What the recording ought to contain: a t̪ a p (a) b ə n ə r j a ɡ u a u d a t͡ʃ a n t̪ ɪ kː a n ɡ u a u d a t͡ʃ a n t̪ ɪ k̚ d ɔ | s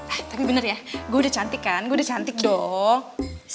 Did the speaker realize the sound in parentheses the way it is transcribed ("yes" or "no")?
no